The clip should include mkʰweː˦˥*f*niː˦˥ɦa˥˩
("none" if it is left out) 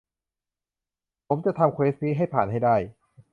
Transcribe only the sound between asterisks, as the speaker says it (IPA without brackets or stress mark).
s